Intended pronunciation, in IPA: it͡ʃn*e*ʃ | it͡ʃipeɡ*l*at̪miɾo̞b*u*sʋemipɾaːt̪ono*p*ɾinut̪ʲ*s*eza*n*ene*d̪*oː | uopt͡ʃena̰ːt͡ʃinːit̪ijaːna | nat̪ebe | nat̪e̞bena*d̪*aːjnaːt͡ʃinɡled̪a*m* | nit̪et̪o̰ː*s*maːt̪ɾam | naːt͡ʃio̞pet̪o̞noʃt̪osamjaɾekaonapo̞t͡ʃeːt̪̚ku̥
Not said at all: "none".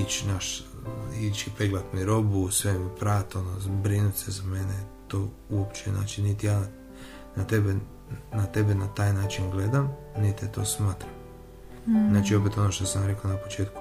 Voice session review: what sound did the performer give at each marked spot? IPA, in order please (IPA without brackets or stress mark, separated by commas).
a, l, u, b, s, m, t̪, t̪, m, s